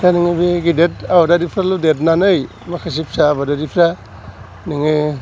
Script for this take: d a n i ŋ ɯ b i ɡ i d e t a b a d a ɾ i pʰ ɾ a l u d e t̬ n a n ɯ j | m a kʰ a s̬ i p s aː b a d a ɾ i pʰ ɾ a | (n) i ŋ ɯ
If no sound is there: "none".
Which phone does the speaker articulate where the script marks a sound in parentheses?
n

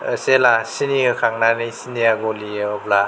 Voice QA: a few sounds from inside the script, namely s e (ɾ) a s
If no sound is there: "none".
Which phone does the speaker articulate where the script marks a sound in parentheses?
l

